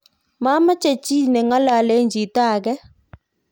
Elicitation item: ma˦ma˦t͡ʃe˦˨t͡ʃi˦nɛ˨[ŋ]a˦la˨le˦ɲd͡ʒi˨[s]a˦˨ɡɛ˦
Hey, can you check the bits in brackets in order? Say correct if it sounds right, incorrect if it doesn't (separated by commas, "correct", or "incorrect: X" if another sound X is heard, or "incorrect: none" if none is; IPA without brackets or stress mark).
correct, incorrect: t